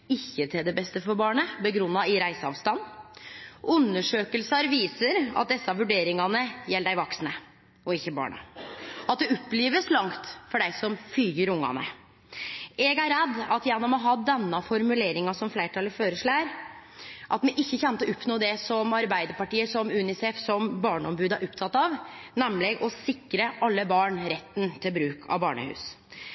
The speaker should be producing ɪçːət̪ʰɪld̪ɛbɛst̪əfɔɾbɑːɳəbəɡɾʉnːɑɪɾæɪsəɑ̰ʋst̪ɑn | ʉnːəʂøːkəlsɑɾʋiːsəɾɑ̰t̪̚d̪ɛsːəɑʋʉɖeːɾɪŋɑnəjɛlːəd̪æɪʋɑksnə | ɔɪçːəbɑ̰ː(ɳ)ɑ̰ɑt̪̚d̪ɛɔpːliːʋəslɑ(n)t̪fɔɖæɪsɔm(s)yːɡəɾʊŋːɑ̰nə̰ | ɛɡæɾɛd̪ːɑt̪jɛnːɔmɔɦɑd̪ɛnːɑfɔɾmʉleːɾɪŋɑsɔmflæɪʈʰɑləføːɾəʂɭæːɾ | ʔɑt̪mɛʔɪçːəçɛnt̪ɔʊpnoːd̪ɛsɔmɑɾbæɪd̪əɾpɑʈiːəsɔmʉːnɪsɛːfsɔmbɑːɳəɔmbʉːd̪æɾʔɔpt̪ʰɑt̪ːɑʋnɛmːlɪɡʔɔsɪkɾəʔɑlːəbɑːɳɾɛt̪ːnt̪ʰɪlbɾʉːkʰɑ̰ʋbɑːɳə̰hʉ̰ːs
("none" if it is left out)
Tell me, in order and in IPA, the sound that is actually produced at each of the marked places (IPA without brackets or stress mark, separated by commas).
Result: ɳ, ŋ, f